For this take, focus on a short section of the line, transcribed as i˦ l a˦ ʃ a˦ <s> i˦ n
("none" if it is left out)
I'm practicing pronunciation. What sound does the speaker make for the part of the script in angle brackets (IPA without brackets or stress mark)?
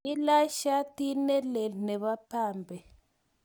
t